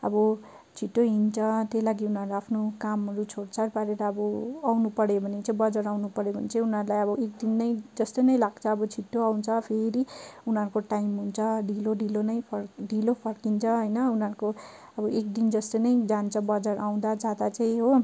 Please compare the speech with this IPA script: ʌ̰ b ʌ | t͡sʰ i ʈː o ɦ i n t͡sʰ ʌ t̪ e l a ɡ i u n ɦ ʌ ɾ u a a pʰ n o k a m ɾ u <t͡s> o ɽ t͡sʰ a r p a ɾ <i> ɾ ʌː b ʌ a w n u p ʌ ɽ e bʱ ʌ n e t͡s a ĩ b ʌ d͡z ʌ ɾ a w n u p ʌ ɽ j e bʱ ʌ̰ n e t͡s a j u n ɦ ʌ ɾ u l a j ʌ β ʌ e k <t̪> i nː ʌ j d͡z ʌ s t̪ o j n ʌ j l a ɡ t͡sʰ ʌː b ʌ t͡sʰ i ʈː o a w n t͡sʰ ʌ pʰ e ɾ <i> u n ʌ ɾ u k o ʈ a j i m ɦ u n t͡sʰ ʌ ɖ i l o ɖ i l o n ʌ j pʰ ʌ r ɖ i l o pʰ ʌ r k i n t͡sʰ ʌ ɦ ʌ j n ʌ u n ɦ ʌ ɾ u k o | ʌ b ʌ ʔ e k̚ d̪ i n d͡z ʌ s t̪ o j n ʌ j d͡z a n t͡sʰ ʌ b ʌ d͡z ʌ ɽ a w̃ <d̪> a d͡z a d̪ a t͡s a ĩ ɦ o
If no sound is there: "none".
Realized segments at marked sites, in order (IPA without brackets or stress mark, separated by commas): t͡sʰ, e, d̪, i, d̪